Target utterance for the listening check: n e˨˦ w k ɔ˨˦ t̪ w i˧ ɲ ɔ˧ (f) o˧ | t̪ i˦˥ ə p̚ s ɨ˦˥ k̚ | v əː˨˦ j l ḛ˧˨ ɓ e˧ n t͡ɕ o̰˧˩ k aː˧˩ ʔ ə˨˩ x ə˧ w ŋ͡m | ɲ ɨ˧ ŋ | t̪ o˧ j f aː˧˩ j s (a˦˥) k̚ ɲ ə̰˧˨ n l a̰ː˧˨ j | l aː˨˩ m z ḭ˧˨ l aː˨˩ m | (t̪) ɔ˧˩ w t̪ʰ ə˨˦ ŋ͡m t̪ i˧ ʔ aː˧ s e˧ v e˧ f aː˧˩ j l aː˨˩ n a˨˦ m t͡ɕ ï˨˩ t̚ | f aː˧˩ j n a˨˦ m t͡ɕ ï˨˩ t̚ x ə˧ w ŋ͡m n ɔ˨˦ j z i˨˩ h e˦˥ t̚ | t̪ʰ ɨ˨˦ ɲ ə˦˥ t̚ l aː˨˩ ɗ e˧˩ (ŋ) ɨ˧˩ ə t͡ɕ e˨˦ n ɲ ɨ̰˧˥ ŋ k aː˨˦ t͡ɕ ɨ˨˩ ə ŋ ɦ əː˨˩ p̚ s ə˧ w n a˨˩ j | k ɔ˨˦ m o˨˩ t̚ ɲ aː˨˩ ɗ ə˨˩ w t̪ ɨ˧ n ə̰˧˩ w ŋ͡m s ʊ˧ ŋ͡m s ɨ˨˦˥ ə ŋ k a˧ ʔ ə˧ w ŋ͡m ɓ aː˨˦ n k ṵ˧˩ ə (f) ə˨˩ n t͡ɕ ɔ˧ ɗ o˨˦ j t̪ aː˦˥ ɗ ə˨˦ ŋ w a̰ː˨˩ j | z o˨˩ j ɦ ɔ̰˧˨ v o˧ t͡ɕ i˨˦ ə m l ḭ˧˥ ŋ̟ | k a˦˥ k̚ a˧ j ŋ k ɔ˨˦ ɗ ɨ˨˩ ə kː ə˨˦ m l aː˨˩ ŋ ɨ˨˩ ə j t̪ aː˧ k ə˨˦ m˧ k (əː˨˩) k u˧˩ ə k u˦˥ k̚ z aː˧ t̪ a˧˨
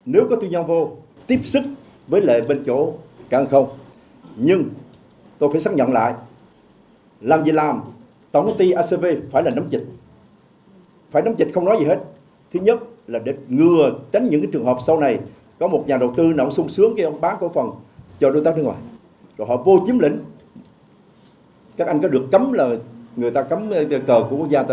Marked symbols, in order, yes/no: no, yes, yes, yes, yes, yes

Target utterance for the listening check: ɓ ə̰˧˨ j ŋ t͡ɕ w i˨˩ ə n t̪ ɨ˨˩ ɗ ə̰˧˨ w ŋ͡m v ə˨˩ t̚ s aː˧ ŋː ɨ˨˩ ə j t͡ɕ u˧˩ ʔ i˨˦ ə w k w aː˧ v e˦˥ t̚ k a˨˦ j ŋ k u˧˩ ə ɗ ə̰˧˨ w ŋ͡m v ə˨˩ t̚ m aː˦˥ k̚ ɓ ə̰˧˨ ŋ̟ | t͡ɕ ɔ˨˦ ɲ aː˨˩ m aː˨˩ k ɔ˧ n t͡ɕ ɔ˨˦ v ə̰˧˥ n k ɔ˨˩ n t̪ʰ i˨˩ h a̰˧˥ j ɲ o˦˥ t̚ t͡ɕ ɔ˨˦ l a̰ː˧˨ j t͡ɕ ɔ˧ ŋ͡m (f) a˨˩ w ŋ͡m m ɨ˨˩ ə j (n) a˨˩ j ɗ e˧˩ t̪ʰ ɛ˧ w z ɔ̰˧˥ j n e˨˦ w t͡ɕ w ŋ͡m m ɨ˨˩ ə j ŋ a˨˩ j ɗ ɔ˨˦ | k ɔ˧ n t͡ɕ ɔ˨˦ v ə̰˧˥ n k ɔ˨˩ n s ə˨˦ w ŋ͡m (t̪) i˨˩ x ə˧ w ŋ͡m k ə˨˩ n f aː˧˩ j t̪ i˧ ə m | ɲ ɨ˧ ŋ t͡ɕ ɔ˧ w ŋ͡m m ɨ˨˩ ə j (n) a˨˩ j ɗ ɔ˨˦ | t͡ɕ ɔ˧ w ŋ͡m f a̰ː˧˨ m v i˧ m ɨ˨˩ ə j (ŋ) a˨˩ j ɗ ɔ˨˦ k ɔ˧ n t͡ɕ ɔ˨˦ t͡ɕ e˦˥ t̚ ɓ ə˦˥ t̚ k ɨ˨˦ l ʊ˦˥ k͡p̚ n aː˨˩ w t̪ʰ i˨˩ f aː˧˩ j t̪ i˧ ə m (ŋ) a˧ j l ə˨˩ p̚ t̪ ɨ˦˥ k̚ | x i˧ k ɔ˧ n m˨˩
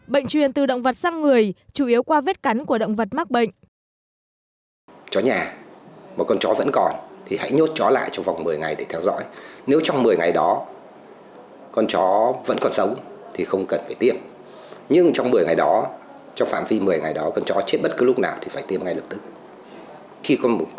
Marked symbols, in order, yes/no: no, no, no, no, yes, yes

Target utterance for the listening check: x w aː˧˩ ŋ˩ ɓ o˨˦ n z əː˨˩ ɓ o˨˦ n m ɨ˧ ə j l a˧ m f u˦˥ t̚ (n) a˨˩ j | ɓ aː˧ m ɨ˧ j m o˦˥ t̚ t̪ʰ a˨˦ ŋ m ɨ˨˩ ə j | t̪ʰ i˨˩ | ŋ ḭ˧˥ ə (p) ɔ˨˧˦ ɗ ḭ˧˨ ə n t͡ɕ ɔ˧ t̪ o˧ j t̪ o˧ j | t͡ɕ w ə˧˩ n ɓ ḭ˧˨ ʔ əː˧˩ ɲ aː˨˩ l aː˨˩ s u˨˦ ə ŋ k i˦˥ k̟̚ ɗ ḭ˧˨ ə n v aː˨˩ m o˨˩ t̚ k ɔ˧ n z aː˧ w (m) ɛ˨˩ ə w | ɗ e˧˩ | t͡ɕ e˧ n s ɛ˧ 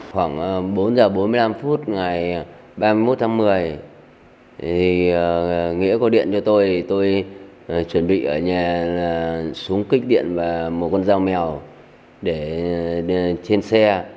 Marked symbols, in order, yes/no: no, no, yes

